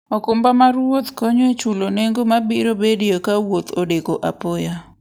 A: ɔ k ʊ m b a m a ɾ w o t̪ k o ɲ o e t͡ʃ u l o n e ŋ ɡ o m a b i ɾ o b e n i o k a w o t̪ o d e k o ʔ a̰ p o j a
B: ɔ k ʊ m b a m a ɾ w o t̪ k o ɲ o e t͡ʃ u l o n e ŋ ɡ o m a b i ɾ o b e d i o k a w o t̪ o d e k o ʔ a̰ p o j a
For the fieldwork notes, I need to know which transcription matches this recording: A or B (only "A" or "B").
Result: B